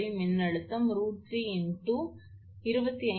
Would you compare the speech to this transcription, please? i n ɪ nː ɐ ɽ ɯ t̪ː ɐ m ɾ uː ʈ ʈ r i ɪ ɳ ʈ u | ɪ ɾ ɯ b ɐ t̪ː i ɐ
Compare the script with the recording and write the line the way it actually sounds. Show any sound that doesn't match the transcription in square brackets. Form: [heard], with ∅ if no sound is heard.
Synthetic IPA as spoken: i [m] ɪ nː ɐ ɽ ɯ t̪ː ɐ m ɾ uː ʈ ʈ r i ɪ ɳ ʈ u | ɪ ɾ ɯ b ɐ t̪ː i ɐ